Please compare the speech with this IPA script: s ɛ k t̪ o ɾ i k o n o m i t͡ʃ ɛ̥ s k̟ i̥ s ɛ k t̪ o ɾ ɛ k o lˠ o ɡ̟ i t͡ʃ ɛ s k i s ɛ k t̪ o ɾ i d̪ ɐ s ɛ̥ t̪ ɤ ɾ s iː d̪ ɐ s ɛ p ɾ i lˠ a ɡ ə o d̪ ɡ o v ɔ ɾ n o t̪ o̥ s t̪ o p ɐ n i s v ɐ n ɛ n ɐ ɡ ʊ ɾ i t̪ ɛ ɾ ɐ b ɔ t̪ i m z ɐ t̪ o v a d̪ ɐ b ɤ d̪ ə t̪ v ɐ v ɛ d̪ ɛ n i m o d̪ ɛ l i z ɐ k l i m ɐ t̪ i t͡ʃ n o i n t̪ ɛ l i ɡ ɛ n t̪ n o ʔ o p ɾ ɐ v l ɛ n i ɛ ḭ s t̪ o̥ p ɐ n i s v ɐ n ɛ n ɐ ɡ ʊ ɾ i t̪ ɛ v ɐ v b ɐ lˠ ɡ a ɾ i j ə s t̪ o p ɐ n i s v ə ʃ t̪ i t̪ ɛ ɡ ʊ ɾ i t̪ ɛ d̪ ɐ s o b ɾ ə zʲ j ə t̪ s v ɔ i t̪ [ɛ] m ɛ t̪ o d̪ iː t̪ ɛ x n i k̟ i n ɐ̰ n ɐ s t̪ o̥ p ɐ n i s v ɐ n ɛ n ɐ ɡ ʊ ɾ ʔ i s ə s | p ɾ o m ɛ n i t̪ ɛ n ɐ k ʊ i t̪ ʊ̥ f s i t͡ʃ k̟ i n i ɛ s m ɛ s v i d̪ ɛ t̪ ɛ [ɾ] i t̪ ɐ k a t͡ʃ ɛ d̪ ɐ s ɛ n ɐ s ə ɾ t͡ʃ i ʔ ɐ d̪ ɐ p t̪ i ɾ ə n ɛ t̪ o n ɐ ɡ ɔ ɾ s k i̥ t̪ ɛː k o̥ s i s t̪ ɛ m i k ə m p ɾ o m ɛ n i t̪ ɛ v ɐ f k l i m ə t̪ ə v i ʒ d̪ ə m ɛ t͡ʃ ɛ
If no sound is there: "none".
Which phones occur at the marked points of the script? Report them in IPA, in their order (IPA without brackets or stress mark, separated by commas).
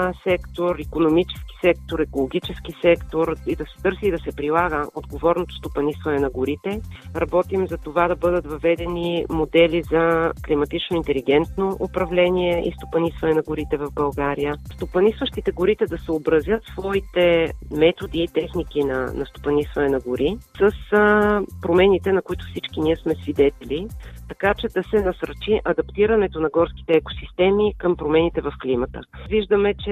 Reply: ɛ, l